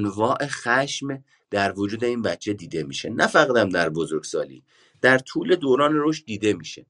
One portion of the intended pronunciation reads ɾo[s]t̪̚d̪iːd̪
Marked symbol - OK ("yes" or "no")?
no